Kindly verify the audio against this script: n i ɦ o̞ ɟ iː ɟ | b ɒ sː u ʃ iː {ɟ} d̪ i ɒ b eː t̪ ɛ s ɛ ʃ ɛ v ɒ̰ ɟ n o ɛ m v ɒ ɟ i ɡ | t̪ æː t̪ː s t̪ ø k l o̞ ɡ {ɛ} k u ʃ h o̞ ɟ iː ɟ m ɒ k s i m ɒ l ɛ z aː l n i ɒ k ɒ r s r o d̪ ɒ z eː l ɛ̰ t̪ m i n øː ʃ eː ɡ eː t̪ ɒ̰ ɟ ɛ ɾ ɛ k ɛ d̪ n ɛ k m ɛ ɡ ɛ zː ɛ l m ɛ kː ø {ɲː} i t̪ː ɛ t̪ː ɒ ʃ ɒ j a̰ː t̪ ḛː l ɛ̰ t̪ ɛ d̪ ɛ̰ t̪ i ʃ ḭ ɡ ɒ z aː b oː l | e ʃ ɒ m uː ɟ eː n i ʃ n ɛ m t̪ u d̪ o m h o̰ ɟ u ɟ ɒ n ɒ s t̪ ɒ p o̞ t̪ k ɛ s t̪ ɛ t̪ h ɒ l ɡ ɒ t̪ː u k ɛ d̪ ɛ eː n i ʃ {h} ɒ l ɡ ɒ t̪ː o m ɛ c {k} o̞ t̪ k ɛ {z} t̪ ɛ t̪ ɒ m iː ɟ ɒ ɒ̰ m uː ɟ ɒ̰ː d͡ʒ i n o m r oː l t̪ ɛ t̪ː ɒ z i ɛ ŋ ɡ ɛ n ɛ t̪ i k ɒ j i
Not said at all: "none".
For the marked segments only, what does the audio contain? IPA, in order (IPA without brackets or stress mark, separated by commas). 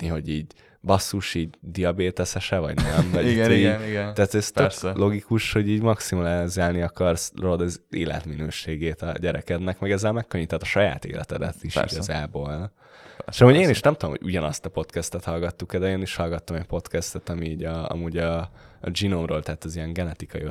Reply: ɟ, i, ɲː, h, p, s